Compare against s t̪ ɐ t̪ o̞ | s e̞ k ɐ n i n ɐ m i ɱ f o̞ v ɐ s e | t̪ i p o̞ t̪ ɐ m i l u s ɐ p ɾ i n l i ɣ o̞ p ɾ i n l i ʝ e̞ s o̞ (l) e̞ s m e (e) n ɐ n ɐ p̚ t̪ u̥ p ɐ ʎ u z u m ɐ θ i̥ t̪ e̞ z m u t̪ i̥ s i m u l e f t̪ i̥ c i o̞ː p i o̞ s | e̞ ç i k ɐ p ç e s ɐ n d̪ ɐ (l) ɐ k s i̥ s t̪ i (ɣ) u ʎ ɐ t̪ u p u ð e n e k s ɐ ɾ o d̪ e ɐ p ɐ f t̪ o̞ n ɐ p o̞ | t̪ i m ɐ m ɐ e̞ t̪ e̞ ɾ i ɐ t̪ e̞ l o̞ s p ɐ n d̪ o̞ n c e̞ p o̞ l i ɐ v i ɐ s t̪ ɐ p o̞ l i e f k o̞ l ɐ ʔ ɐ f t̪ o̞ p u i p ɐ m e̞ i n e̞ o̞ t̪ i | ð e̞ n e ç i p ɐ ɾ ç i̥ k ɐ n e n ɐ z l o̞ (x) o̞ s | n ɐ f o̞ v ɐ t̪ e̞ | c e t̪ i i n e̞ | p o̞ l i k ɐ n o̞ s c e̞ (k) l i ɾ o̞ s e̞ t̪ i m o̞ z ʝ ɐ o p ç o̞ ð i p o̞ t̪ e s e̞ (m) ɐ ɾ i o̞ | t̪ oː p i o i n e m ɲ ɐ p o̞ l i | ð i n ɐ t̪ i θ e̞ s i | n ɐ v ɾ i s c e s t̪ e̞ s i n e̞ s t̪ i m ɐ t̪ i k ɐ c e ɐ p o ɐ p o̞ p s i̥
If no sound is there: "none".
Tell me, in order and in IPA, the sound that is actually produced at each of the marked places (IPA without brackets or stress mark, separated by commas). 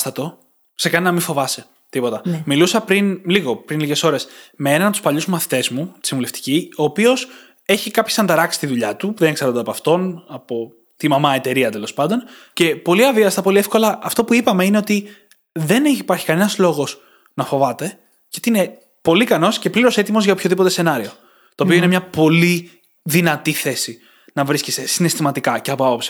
ɾ, e, ɾ, ð, ɣ, p, n